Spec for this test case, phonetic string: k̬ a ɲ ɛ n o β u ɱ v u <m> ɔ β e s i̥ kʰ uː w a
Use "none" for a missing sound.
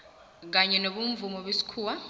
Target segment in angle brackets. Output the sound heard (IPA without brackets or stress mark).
m